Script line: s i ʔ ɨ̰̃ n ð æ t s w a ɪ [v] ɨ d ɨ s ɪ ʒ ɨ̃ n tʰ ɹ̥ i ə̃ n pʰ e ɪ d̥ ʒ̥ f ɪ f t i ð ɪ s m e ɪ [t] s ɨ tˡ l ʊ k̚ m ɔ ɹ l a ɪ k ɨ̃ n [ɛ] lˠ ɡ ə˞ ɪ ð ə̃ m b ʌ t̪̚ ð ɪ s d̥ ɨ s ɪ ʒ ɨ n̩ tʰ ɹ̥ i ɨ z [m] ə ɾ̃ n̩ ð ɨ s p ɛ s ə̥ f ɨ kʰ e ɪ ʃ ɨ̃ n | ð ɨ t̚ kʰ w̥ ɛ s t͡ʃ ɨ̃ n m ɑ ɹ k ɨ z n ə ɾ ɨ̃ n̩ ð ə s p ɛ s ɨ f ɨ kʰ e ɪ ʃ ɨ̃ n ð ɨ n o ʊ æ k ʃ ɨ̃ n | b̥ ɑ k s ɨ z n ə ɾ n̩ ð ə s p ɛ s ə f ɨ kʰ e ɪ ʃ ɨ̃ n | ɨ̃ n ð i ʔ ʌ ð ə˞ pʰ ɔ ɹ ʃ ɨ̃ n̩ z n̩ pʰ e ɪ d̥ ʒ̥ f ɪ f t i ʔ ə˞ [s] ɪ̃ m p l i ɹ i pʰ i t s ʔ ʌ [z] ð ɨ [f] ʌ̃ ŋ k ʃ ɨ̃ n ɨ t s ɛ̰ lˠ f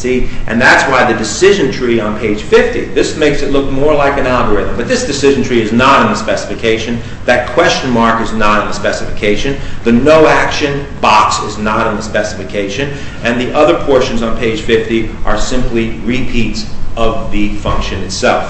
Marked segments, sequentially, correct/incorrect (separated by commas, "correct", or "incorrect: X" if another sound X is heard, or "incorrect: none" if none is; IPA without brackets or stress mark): incorrect: ð, incorrect: k, incorrect: æ, incorrect: n, correct, incorrect: v, correct